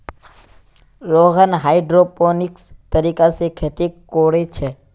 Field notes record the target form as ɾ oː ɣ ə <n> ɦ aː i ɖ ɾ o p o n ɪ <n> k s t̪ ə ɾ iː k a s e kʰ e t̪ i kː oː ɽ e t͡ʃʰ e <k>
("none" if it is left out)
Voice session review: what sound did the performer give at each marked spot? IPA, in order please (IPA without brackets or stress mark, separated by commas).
n, none, none